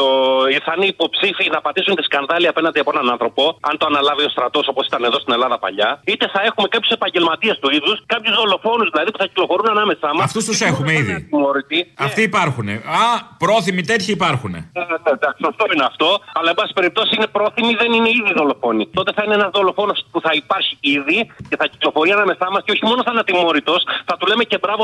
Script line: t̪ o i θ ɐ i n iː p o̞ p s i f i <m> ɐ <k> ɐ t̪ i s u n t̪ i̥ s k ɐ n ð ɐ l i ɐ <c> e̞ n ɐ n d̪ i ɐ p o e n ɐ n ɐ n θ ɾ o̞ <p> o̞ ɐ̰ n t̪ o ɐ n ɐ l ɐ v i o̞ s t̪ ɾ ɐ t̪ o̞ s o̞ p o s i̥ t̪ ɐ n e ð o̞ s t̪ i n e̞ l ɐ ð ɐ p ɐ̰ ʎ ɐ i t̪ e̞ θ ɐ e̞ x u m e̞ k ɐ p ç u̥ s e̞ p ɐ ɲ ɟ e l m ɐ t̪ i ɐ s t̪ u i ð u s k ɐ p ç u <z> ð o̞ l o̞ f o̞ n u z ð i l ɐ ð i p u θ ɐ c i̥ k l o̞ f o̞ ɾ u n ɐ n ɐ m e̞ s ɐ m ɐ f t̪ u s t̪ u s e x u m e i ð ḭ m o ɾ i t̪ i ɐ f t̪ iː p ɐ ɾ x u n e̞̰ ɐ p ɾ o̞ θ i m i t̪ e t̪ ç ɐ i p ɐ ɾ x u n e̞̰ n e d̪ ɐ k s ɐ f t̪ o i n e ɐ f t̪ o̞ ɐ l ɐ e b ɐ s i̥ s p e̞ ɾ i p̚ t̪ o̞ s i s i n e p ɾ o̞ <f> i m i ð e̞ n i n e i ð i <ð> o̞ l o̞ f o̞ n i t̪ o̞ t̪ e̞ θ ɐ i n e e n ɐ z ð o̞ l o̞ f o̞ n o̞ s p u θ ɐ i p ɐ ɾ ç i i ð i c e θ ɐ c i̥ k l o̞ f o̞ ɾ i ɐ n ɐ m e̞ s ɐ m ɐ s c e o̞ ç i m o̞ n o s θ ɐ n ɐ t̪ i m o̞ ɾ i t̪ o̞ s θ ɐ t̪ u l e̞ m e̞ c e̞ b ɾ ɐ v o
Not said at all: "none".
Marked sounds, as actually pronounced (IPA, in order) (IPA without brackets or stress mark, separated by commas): n, p, p, p, z, θ, ð